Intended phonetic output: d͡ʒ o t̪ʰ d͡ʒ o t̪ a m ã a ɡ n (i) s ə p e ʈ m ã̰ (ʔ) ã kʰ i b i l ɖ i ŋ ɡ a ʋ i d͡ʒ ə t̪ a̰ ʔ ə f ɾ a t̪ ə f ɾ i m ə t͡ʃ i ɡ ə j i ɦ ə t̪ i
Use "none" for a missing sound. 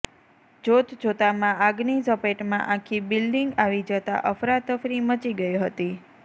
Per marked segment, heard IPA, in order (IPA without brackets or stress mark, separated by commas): i, ʔ